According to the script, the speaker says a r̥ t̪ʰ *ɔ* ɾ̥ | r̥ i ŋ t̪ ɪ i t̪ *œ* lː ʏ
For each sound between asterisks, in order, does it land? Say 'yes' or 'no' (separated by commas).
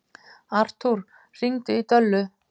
no, yes